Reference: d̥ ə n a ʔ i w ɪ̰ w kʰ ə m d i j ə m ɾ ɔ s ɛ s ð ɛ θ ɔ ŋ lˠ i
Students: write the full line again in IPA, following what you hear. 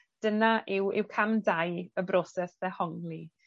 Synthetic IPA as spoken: d̥ ə n a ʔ ɪ w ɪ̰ w kʰ a m d a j ə b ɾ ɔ s ɛ s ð ɛ h ɔ ŋ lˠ i